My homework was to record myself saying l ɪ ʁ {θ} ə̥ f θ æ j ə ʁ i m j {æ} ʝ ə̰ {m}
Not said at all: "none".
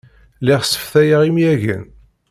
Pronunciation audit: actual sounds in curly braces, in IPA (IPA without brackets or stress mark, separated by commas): s, æ, n